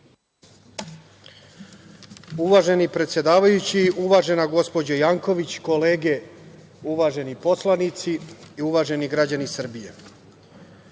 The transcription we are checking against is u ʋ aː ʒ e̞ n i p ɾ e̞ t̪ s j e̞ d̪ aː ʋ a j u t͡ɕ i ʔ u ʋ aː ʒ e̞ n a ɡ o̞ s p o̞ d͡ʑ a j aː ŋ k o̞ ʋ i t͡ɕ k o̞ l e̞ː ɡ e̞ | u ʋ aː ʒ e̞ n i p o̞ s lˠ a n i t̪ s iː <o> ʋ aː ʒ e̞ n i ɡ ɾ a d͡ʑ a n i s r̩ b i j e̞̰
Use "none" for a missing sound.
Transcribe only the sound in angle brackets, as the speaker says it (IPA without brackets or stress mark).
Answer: u